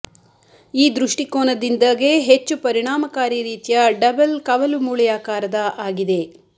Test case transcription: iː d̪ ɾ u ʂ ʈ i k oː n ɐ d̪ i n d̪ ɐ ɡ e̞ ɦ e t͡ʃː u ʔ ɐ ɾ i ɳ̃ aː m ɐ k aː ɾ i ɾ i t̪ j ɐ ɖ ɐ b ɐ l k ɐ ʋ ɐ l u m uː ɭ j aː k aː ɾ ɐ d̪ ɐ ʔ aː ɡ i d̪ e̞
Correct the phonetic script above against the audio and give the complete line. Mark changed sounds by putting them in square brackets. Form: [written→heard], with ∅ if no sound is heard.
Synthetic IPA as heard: iː d̪ ɾ u ʂ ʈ i k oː n ɐ d̪ i n d̪ ɐ ɡ e̞ ɦ e t͡ʃː u [ʔ→p] ɐ ɾ i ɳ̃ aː m ɐ k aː ɾ i ɾ [i→iː] t̪ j ɐ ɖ ɐ b ɐ l k ɐ ʋ ɐ l u m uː ɭ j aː k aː ɾ ɐ d̪ ɐ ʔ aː ɡ i d̪ e̞